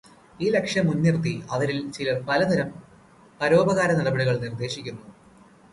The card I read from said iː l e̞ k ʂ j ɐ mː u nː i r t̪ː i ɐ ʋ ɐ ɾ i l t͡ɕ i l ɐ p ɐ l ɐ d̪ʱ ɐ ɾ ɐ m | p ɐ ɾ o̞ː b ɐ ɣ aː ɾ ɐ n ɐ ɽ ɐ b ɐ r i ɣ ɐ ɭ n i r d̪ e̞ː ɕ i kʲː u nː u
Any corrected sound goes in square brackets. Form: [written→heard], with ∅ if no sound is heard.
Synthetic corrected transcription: iː l e̞ k ʂ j ɐ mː u nː i r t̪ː i ɐ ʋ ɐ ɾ i l t͡ɕ i l ɐ p ɐ l ɐ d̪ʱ ɐ ɾ ɐ m | p ɐ ɾ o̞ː b ɐ ɣ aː ɾ ɐ n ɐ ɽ ɐ b ɐ [r→ɽ] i ɣ ɐ ɭ n i r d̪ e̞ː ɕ i kʲː u nː u

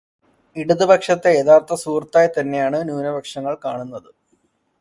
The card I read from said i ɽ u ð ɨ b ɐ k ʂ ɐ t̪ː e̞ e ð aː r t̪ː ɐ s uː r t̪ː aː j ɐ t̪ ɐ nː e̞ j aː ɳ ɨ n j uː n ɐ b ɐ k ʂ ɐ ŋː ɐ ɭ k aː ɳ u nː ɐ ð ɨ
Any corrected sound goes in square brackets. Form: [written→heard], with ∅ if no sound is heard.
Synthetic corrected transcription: i ɽ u ð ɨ b ɐ k ʂ ɐ t̪ː e̞ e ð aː r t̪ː ɐ s uː r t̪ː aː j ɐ t̪ ɐ nː e̞ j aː ɳ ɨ n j uː n ɐ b ɐ k ʂ ɐ ŋː ɐ ɭ k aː ɳ u nː ɐ ð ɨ

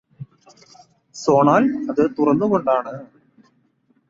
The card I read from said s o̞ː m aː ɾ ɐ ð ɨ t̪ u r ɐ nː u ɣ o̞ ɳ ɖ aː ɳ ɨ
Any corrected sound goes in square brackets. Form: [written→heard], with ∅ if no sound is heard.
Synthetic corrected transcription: s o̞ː [m→ɳ] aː [ɾ→l] ɐ ð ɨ t̪ u r ɐ nː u ɣ o̞ ɳ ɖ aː ɳ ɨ

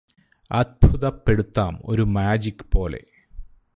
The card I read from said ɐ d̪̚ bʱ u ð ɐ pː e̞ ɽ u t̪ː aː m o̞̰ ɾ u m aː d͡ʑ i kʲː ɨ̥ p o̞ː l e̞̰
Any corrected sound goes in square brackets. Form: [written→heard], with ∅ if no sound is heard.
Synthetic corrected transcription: ɐ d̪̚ bʱ u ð ɐ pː e̞ ɽ u t̪ː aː m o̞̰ ɾ u m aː d͡ʑ i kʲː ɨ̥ p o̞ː l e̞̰

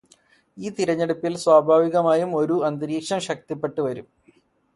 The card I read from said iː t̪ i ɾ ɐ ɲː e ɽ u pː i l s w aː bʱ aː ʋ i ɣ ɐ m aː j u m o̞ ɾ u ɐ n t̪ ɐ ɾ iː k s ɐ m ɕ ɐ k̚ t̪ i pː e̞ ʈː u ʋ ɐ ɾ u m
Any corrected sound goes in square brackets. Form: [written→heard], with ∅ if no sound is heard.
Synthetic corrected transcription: iː t̪ i ɾ ɐ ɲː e ɽ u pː i l s w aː bʱ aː ʋ i ɣ ɐ m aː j u m o̞ ɾ u ɐ n [t̪→d̪] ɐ ɾ iː k [s→ʂ] ɐ m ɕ ɐ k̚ t̪ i pː e̞ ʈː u ʋ ɐ ɾ u m

